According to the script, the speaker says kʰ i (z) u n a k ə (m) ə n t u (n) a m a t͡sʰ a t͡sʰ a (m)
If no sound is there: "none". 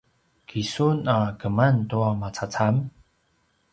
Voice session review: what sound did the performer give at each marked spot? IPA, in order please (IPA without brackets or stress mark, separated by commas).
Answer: s, m, none, m